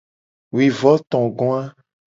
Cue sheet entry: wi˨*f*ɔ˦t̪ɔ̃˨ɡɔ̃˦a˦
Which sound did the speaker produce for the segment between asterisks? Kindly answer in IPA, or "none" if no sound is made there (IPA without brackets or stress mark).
v